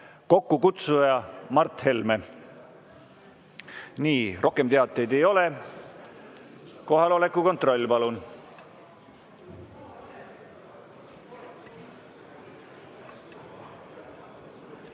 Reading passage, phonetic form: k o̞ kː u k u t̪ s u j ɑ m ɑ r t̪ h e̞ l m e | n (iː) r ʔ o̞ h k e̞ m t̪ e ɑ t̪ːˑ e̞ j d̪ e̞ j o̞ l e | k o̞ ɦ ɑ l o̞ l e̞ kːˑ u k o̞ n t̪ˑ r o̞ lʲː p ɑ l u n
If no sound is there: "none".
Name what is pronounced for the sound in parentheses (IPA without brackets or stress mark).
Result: iː